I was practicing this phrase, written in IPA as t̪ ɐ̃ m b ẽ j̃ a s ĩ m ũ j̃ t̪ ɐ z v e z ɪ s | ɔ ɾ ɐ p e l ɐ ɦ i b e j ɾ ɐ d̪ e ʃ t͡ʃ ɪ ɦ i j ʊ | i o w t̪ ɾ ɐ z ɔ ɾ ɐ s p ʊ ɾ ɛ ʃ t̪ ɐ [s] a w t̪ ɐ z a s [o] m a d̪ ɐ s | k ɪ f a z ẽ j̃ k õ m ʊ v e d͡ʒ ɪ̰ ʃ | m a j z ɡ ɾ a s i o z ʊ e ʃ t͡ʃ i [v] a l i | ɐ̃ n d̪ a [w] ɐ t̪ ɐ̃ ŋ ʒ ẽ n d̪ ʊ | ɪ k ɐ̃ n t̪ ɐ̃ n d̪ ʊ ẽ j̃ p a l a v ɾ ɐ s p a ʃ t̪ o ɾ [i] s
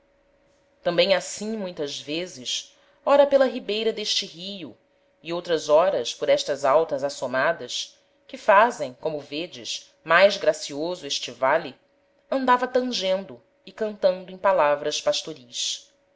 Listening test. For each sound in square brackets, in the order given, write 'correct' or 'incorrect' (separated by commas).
incorrect, correct, correct, incorrect, correct